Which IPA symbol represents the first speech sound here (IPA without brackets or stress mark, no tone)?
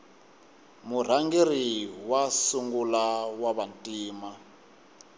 m